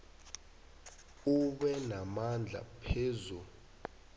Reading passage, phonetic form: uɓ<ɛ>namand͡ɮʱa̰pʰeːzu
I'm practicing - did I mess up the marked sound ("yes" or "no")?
no